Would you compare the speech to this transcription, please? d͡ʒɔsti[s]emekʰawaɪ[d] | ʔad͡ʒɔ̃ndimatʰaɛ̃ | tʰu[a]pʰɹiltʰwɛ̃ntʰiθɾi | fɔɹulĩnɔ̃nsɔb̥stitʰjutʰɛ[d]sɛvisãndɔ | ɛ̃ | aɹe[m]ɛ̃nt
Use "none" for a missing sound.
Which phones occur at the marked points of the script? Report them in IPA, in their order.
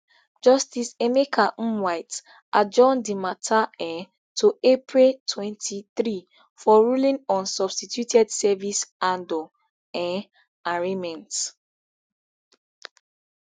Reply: s, t, e, d, m

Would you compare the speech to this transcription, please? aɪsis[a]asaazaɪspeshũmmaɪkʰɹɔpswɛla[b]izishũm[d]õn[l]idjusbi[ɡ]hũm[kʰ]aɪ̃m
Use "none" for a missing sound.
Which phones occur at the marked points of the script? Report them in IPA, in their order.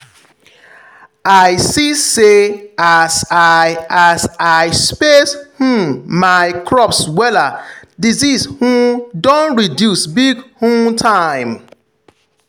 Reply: e, d, d, ɹ, ɡ, tʰ

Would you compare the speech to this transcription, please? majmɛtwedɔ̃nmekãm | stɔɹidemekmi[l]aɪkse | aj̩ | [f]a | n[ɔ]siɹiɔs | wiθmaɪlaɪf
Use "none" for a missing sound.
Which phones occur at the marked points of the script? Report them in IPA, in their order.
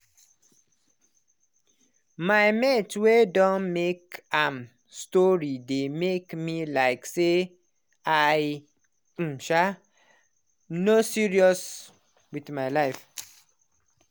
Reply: l, ʃ, o

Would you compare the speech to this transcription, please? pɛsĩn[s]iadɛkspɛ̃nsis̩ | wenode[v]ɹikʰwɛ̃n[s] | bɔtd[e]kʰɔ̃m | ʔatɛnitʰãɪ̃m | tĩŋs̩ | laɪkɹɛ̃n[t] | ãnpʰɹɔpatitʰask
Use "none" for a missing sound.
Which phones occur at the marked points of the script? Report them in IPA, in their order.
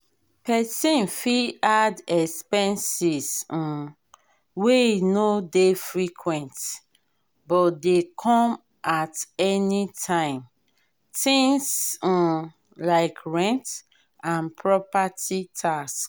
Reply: f, f, t, e, t

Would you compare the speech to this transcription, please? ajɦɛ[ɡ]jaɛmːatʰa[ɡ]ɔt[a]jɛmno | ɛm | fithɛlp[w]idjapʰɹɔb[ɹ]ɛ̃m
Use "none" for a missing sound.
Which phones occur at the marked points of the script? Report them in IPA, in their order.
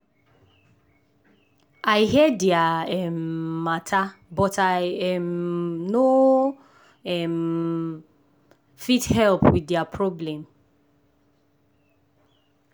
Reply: d, b, a, w, l

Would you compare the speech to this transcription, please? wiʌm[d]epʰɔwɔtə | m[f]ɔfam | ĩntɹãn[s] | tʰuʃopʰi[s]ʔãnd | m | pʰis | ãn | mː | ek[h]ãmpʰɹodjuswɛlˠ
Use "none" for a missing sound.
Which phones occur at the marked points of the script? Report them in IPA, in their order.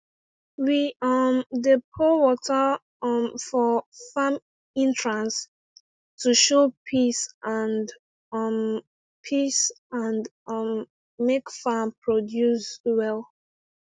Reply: d, f, s, s, f

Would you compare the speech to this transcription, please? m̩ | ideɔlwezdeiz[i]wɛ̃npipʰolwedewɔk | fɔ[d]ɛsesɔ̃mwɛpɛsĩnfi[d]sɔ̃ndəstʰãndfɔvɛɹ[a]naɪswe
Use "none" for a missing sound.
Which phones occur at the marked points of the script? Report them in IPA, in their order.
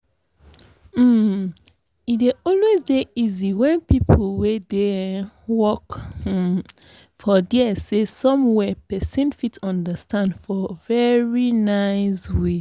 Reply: i, d, t, i

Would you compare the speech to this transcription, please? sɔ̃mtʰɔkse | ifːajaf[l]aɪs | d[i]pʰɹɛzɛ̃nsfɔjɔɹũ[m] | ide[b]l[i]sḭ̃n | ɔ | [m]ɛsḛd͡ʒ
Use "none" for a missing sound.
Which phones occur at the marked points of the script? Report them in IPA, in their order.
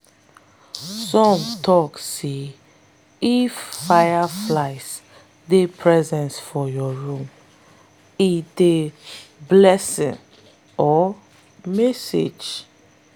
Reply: l, e, m, b, ɛ, m

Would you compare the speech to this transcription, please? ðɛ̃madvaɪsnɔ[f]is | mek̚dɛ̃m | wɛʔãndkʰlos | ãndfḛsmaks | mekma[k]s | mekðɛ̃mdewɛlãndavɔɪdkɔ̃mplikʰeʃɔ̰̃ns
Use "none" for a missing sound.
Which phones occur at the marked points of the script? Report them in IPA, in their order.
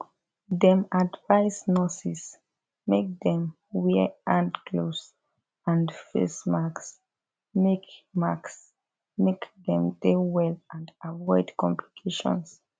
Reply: s, k

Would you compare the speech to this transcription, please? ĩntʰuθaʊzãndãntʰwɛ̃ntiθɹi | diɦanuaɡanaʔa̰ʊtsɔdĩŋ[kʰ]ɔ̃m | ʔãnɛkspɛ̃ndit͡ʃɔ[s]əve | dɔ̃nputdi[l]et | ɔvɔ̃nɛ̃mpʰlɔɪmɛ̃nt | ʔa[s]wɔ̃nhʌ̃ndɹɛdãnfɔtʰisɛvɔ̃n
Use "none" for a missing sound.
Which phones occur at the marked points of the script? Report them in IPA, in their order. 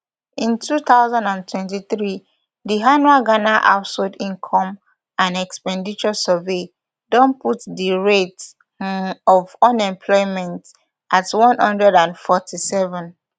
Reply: kʰ, s, ɹ, t

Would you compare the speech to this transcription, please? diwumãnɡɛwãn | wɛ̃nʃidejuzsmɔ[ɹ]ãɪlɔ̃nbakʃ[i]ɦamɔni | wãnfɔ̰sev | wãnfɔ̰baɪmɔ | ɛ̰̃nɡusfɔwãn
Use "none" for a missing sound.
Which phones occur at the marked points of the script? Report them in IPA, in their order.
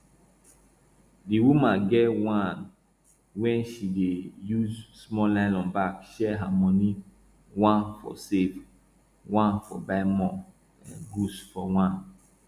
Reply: l, ɛ

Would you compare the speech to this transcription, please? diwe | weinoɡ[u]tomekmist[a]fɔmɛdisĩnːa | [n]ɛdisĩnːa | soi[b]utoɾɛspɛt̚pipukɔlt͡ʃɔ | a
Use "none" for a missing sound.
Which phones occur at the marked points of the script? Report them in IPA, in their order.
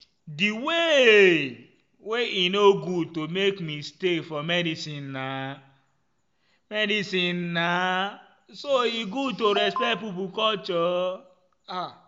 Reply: u, e, m, ɡ

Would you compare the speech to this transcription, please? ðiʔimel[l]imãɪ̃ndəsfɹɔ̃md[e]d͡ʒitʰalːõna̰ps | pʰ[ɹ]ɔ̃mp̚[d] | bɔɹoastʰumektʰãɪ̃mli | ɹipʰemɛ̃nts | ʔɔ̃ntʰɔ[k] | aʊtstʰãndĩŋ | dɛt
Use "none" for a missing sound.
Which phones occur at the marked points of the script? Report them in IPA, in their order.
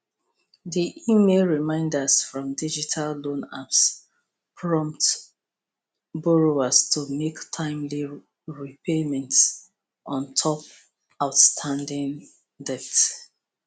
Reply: ɹ, i, ɹ, t, p

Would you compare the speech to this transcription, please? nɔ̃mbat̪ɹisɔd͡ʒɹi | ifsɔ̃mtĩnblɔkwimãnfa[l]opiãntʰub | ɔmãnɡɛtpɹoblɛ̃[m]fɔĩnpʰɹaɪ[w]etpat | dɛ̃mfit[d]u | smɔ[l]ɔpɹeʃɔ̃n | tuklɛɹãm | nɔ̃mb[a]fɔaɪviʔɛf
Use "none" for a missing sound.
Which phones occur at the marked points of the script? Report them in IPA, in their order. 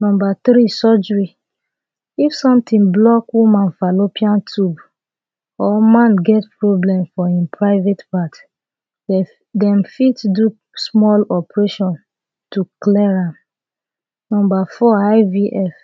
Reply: l, m, v, d, l, a

